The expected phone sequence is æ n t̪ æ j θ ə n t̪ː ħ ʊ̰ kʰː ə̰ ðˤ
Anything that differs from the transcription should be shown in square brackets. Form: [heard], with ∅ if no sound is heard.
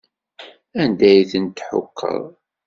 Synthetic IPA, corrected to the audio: æ n [d̪] æ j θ ə n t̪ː ħ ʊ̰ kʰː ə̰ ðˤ